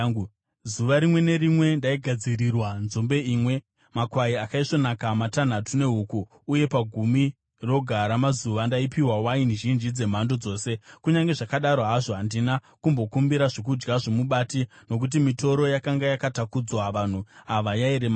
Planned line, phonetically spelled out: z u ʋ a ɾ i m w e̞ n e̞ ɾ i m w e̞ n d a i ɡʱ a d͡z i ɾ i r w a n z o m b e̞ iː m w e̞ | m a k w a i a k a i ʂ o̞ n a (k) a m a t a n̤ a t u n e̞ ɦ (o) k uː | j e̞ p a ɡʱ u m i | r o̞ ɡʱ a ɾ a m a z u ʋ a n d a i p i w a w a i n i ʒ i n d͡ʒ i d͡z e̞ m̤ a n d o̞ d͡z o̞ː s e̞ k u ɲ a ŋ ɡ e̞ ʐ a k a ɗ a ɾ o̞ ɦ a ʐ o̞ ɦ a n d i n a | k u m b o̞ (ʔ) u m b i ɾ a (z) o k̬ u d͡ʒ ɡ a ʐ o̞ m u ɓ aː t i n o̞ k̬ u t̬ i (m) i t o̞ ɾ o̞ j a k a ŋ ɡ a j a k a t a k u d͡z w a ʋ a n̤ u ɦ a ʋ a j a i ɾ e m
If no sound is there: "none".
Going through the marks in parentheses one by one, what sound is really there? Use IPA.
k, u, k, ʐ, m

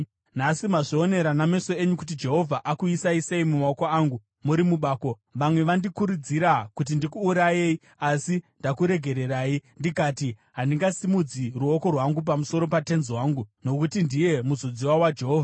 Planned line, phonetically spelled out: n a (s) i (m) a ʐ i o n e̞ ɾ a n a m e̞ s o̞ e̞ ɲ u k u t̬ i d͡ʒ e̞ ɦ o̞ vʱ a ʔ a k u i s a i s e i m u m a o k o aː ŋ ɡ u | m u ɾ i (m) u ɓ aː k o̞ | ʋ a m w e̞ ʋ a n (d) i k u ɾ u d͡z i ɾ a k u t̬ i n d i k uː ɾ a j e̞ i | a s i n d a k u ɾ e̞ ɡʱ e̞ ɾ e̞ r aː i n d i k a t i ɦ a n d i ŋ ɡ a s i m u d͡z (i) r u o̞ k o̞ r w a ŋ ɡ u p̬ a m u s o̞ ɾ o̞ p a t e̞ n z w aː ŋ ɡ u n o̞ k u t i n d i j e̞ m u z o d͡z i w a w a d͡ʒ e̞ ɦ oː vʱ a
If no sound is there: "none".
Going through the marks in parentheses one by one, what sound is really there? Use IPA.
s, m, m, d, i

